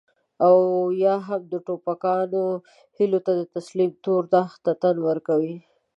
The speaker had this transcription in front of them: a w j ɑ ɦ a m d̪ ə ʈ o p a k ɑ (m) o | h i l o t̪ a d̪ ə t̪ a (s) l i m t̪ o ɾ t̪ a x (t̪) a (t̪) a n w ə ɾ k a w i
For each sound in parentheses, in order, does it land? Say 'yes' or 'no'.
no, yes, yes, yes

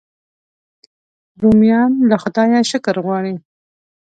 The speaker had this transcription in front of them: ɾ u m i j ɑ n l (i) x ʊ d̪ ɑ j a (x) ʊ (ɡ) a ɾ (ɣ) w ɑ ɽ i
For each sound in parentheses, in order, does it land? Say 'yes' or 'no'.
no, no, no, yes

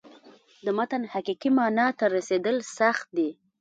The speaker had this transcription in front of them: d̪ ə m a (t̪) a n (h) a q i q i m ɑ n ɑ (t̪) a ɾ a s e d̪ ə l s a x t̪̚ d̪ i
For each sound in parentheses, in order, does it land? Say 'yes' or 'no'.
yes, yes, yes

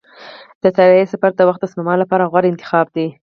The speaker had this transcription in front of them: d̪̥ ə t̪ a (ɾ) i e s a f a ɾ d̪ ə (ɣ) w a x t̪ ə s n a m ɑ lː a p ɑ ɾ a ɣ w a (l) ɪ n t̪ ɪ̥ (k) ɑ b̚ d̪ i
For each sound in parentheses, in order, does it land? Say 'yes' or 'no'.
yes, no, no, no

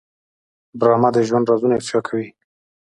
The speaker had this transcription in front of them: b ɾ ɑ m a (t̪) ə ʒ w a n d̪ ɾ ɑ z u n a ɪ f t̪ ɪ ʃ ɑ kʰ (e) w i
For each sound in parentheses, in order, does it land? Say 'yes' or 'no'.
no, no

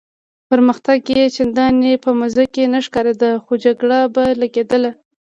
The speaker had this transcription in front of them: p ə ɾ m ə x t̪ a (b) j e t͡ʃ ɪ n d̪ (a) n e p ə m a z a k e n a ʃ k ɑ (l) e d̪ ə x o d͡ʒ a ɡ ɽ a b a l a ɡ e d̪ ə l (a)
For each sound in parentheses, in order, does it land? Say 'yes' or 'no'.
no, no, no, yes

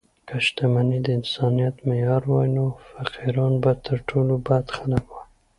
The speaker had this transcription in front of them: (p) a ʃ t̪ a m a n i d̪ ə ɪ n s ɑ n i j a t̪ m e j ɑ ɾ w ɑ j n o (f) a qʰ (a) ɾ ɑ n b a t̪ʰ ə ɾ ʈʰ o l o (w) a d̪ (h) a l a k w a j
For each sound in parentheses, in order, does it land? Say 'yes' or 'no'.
no, yes, no, no, no

